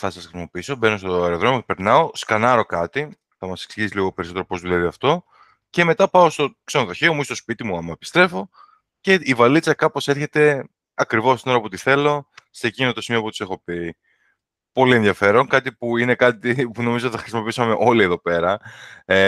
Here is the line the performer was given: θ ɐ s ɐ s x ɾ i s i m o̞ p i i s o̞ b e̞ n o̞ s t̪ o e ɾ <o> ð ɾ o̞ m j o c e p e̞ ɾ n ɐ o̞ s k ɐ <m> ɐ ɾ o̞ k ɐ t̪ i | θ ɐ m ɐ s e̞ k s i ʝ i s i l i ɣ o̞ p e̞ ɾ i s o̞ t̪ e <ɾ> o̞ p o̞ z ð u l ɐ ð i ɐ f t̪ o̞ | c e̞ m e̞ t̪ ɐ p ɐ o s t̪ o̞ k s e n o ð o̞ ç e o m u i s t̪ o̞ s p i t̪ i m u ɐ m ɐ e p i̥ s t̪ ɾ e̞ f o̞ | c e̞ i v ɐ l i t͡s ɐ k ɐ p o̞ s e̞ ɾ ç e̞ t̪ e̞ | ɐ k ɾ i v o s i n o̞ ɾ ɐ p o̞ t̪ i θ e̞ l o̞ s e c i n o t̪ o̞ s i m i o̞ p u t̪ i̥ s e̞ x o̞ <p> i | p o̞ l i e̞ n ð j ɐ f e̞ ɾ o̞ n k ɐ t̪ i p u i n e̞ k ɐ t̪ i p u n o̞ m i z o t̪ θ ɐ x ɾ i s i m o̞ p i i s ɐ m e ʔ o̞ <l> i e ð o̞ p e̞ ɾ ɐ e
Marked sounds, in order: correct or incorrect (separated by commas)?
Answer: correct, incorrect, correct, correct, correct